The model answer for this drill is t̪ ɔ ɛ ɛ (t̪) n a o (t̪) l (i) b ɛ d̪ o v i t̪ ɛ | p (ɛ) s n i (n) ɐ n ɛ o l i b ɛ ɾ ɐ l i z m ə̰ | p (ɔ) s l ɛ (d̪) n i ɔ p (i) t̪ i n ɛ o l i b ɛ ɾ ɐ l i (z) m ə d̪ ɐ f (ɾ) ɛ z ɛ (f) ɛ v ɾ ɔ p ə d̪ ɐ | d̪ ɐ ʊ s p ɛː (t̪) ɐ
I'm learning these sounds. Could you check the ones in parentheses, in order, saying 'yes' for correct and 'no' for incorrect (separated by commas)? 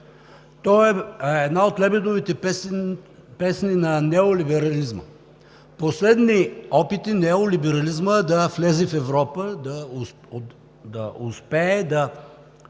no, yes, no, yes, yes, no, yes, yes, yes, no, yes, no